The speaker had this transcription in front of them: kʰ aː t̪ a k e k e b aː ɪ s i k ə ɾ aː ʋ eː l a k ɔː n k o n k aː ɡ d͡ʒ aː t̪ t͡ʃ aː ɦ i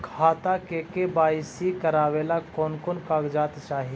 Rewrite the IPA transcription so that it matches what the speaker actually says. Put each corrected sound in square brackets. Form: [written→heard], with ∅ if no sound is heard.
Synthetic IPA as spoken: kʰ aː t̪ a k e k e b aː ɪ s i k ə ɾ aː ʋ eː l a k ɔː n k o n k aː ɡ d͡ʒ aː t̪ t͡ʃ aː ɦ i